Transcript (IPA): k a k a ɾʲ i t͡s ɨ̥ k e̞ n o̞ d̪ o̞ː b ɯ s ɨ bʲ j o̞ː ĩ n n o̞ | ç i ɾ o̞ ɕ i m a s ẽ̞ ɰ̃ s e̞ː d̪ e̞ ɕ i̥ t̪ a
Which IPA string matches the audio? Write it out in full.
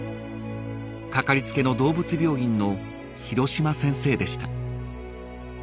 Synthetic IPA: k a k a ɾʲ i t͡s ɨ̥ k e̞ n o̞ d̪ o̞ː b ɯ t͡s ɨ bʲ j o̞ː ĩ n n o̞ | ç i ɾ o̞ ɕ i m a s ẽ̞ ɰ̃ s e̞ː d̪ e̞ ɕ i̥ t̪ a